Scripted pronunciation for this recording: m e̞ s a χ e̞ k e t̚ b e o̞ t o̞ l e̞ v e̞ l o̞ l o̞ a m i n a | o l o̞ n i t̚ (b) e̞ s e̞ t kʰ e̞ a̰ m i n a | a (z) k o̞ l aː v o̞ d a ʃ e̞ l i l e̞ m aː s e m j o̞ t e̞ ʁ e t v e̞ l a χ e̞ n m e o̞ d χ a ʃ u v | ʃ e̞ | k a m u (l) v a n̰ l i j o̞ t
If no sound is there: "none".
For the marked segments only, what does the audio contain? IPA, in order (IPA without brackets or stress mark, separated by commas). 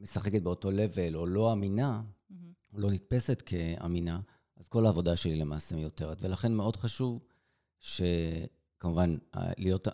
p, z, none